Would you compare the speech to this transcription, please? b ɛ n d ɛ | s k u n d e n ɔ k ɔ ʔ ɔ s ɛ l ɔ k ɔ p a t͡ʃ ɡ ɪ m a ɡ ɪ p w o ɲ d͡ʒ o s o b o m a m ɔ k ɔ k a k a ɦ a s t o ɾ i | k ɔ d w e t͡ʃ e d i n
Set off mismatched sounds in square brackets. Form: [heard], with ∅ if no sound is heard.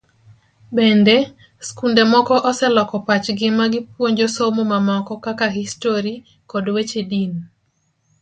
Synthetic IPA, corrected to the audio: b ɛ n d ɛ | s k u n d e [m] ɔ k ɔ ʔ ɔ s ɛ l ɔ k ɔ p a t͡ʃ ɡ ɪ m a ɡ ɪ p w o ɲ d͡ʒ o s o [m] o m a m ɔ k ɔ k a k a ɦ [i] s t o ɾ i | k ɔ d w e t͡ʃ e d i n